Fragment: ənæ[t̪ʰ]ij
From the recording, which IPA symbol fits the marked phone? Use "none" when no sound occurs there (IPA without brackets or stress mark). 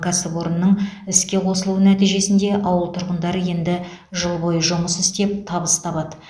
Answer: t̪